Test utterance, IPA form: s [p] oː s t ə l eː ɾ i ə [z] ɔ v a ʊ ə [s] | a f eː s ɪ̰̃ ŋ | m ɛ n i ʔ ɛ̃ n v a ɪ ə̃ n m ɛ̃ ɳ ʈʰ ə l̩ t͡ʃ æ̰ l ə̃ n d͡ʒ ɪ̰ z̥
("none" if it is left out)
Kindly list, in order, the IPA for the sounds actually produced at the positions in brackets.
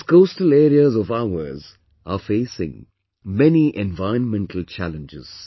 k, z, z

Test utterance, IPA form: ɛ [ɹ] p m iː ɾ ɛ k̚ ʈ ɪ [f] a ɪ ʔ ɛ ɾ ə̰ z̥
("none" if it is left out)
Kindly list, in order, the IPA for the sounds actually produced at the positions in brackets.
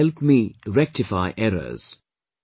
l, f

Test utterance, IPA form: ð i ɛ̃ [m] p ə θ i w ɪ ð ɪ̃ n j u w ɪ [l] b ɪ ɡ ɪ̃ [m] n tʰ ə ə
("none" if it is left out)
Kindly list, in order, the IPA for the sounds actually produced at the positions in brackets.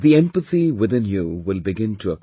m, l, none

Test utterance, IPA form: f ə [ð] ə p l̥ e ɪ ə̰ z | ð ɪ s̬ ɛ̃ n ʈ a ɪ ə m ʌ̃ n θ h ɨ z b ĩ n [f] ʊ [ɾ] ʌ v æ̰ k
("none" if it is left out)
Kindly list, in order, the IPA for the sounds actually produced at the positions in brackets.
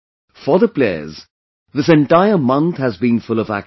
ð, f, l

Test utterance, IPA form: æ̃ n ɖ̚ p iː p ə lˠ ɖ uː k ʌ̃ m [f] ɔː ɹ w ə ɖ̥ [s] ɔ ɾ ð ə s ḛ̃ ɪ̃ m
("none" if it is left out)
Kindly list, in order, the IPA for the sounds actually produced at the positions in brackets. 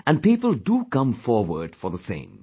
f, f

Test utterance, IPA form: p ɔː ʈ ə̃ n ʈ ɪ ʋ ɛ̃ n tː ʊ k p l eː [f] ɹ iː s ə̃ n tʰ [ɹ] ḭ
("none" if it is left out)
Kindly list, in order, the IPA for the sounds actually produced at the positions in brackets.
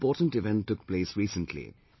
s, l

